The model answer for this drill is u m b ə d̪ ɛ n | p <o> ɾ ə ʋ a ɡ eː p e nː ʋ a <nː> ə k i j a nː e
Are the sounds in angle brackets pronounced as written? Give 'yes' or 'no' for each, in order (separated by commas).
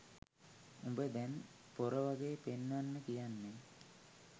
yes, yes